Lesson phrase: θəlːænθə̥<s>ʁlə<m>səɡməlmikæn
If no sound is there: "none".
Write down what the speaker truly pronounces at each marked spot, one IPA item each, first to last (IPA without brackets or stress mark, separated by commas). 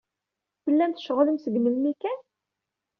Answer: ʃ, m